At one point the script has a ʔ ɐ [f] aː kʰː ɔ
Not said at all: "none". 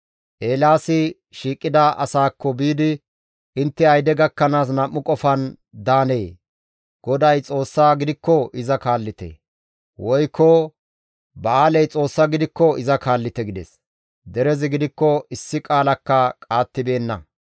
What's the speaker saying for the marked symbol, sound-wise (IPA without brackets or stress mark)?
s